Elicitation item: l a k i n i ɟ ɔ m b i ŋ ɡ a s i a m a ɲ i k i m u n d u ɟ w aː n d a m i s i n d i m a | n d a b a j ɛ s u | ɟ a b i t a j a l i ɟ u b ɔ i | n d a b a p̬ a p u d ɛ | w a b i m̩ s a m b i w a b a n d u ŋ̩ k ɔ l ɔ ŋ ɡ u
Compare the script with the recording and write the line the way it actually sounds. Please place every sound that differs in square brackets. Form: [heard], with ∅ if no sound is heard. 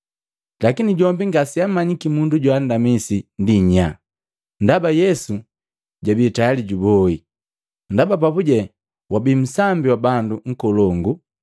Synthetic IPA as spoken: l a k i n i ɟ ɔ m b i ŋ ɡ a s i a m a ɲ i k i m u n d u ɟ w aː n d a m i s i n d i [ɲ] a | n d a b a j ɛ s u | ɟ a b i t a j a l i ɟ u b ɔ i | n d a b a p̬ a p u [ɟ] ɛ | w a b i m̩ s a m b i w a b a n d u ŋ̩ k ɔ l ɔ ŋ ɡ u